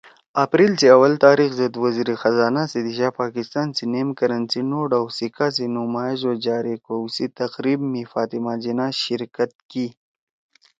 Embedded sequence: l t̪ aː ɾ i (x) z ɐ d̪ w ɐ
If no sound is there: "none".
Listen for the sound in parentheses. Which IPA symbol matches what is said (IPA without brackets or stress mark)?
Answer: x